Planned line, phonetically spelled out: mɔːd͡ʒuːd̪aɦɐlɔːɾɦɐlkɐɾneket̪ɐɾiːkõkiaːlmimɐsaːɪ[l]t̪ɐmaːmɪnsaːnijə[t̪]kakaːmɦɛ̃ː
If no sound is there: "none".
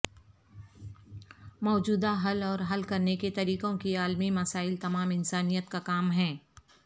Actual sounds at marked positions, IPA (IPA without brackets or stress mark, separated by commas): l, t̪